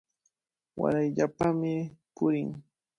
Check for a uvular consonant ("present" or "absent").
absent